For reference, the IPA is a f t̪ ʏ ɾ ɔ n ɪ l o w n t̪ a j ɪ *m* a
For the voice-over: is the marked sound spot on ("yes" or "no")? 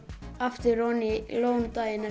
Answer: no